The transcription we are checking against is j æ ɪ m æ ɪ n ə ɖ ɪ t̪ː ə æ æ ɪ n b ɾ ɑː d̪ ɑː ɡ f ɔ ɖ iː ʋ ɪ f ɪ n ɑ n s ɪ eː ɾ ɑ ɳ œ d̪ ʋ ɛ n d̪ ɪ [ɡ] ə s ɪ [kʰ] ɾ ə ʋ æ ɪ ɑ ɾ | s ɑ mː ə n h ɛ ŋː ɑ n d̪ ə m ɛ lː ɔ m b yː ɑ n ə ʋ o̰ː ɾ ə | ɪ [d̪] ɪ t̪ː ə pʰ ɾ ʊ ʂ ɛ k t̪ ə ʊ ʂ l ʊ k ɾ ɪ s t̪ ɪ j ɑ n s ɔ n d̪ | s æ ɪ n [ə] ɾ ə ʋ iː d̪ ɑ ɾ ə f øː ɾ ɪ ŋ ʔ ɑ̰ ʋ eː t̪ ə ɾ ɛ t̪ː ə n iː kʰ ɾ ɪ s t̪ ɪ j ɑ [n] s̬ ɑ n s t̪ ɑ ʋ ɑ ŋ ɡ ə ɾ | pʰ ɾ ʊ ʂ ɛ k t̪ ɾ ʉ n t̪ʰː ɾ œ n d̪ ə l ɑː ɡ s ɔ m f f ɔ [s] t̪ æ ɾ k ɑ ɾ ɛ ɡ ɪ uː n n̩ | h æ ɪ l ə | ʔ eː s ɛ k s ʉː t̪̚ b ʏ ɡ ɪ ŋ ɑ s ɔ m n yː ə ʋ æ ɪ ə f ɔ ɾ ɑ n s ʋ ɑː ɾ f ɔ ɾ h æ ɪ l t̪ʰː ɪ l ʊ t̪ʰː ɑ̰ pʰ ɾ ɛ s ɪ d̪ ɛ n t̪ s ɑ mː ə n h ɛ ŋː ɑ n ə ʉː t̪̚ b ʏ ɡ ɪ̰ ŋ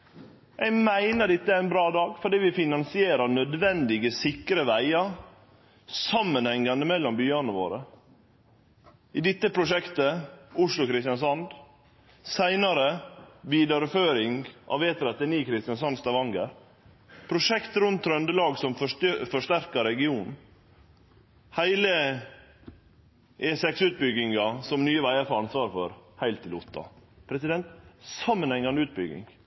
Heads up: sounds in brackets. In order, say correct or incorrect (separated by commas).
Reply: correct, incorrect, correct, incorrect, correct, incorrect